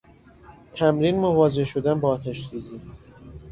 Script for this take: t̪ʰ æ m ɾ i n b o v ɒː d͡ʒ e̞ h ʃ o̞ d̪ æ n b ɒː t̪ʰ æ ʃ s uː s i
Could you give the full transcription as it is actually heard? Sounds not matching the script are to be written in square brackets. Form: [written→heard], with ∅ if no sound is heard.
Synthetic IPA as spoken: t̪ʰ æ m ɾ i n [b→m] o v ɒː d͡ʒ e̞ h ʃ o̞ d̪ æ n b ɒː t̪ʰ æ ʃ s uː [s→z] i